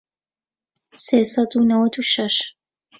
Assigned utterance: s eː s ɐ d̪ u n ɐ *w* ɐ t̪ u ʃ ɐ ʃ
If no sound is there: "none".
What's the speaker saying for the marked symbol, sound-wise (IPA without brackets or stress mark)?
w